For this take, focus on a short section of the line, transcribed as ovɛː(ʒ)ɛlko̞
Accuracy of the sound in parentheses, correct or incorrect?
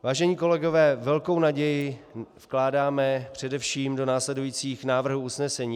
incorrect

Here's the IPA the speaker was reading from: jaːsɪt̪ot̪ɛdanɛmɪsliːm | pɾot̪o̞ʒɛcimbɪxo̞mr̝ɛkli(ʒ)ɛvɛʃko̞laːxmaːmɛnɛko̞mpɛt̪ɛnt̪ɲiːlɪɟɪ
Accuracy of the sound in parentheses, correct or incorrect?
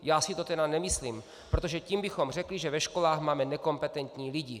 correct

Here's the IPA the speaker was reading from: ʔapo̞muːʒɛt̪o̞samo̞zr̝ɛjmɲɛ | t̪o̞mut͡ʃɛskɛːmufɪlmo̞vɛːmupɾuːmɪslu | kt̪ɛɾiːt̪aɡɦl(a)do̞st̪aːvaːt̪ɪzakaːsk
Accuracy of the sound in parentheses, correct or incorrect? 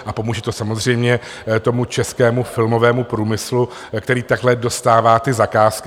incorrect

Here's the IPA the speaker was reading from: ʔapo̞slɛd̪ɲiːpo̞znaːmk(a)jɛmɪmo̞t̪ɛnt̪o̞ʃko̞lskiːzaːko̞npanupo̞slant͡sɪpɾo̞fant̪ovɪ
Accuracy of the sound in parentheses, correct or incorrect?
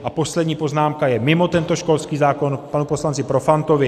correct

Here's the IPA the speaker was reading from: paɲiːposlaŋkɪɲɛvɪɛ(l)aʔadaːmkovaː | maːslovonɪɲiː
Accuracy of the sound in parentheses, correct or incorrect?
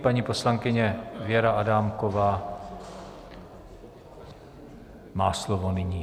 incorrect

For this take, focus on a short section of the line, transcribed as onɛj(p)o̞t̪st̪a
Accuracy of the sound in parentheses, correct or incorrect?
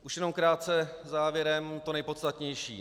correct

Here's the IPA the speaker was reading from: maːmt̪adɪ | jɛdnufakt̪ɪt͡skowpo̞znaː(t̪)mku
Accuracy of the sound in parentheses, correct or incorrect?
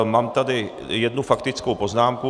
incorrect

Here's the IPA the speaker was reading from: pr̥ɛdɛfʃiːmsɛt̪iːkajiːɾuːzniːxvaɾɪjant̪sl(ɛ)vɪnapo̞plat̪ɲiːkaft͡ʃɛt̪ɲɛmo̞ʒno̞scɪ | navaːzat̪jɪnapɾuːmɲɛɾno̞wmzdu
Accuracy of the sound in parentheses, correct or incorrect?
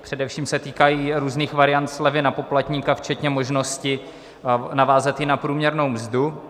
correct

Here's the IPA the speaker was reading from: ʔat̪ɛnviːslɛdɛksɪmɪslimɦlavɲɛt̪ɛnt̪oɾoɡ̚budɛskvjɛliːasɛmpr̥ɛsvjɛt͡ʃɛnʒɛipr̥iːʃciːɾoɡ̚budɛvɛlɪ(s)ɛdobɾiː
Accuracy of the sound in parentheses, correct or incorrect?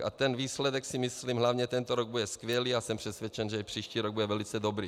incorrect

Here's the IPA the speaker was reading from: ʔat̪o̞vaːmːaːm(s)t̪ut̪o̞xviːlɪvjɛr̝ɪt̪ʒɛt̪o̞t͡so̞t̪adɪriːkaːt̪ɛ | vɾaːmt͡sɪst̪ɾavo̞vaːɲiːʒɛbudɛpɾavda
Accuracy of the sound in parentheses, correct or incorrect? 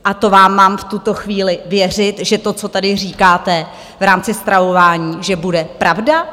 incorrect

